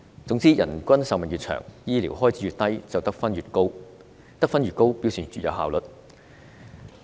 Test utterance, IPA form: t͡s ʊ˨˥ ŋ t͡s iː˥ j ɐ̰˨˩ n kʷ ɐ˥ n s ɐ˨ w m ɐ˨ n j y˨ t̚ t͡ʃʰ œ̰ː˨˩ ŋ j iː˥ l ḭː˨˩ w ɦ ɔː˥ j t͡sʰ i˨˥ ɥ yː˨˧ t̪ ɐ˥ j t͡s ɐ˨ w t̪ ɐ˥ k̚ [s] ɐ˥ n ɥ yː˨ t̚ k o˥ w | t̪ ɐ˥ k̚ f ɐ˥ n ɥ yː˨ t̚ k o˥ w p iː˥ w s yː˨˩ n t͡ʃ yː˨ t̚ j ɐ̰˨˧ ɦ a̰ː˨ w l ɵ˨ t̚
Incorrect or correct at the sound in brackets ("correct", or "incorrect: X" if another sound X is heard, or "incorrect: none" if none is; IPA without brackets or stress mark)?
incorrect: f